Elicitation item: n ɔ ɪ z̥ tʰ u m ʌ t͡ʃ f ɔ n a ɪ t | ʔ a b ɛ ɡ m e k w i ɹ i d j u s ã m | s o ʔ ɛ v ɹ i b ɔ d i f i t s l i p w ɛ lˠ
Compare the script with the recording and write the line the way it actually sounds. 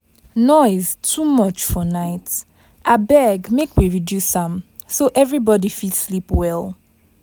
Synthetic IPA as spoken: n ɔ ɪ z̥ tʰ u m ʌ t͡ʃ f ɔ n a ɪ t | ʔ a b ɛ ɡ m e k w i ɹ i d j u s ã m | s o ʔ ɛ v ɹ i b ɔ d i f i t s l i p w ɛ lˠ